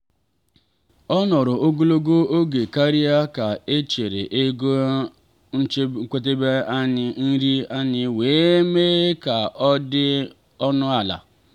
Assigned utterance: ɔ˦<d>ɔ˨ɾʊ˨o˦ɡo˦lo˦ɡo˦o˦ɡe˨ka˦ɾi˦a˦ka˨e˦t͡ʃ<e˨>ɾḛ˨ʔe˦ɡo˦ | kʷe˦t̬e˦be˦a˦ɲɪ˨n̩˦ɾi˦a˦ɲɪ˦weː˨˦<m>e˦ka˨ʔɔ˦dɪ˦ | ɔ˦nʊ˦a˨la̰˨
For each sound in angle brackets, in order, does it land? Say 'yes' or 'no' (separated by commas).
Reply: no, yes, yes